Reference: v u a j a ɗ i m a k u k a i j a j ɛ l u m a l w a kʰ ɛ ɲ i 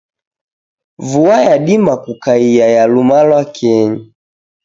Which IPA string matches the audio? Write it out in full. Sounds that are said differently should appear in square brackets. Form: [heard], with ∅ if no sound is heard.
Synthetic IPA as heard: v u a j a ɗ i m a k u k a i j a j [a] l u m a l w a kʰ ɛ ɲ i